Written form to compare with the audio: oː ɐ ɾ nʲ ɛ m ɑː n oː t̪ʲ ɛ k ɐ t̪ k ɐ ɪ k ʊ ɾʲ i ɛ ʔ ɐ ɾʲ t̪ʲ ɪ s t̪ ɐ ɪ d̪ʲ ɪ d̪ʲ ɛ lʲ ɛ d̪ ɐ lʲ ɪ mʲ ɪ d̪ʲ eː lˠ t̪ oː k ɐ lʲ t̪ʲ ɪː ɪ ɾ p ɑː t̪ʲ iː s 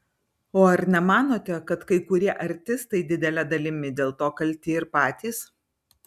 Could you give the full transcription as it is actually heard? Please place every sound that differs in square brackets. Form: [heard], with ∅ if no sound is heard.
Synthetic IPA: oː ɐ ɾ nʲ ɛ m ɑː n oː t̪ʲ ɛ k ɐ t̪ k ɐ ɪ k ʊ ɾʲ i ɛ ʔ ɐ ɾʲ t̪ʲ ɪ s t̪ ɐ ɪ d̪ʲ ɪ d̪ʲ ɛ lʲ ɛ d̪ ɐ lʲ ɪ mʲ ɪ d̪ʲ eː lˠ t̪ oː k ɐ lʲ t̪ʲ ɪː ɪ ɾ p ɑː t̪ʲ iː s